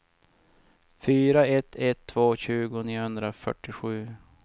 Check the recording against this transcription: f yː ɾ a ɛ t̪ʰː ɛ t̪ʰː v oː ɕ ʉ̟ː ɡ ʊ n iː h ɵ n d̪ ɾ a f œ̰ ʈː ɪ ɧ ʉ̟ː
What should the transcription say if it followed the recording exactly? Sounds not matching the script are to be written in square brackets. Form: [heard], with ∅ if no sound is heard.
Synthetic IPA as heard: f yː ɾ a ɛ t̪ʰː ɛ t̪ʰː v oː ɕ ʉ̟ː ɡ ʊ n iː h ɵ n d̪ ɾ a f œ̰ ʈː ɪ ɧ ʉ̟ː